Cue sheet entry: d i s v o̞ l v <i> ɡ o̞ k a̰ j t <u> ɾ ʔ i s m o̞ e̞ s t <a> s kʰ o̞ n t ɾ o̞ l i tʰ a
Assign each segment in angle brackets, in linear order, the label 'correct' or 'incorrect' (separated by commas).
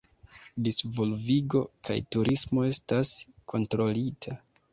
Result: correct, correct, correct